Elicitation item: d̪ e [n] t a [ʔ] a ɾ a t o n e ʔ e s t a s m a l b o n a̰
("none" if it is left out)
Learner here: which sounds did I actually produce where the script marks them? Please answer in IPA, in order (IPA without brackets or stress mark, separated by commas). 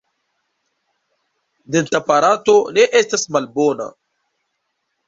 n, p